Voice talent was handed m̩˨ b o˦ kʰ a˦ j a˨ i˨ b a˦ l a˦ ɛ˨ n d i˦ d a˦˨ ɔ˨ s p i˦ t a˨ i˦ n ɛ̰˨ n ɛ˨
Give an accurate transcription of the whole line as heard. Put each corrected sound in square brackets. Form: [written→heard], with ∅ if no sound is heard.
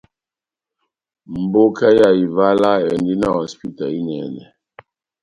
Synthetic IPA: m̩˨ b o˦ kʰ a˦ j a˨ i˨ [b→v] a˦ l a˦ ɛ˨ n d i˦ [d→n] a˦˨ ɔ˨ s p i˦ t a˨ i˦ n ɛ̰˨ n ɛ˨